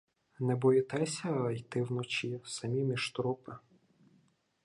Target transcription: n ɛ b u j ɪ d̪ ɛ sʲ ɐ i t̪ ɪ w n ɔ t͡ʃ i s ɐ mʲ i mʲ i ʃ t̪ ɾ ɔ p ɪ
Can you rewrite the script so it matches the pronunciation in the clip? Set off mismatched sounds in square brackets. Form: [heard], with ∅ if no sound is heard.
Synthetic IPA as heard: n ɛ b [ɔ] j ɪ [t̪] ɛ sʲ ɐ [j] t̪ ɪ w n ɔ t͡ʃ i s ɐ mʲ i mʲ i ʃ t̪ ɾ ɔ p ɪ